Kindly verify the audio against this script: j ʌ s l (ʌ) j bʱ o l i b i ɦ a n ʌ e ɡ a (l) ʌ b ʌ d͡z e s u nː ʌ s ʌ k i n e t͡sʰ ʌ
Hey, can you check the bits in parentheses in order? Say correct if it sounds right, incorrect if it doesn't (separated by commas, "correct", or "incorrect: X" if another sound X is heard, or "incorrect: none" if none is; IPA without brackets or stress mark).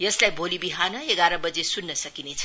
incorrect: a, incorrect: ɾ